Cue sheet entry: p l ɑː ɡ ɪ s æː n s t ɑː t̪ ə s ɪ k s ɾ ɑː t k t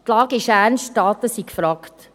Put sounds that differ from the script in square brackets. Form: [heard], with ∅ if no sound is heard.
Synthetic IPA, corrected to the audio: [t] l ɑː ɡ ɪ [ʃ] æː n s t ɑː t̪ ə s [i] k [f] ɾ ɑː [∅] k t